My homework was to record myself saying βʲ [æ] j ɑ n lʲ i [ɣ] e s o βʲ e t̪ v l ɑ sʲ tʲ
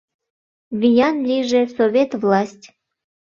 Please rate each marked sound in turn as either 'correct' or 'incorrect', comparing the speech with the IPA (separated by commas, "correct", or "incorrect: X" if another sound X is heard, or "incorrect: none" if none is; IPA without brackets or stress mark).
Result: incorrect: i, incorrect: ʒ